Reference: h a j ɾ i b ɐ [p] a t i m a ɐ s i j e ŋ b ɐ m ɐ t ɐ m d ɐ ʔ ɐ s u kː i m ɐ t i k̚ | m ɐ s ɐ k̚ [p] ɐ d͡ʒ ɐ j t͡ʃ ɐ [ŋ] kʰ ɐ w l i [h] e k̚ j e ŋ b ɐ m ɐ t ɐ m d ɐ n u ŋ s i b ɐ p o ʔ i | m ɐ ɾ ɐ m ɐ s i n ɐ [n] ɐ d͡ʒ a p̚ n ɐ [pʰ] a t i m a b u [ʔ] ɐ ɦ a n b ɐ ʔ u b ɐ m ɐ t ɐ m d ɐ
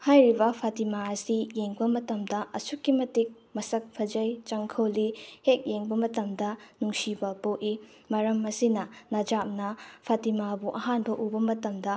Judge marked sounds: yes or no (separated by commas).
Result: no, no, yes, yes, yes, yes, yes